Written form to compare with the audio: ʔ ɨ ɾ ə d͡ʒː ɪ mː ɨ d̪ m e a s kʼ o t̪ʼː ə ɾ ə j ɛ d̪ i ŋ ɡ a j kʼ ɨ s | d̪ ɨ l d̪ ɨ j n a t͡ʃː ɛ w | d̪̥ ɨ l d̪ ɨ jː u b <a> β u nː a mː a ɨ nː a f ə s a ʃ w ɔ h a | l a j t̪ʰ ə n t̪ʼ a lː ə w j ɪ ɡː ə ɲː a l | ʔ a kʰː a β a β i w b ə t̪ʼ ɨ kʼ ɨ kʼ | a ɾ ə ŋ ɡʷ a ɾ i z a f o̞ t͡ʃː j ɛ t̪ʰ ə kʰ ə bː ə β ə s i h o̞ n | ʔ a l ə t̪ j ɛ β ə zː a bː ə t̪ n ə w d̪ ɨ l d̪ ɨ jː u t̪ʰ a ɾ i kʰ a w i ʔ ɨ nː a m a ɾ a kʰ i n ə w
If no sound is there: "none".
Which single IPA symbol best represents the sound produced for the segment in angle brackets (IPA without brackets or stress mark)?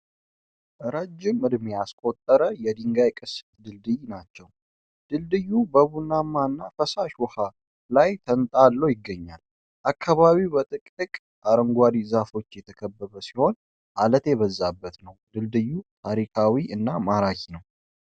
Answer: ə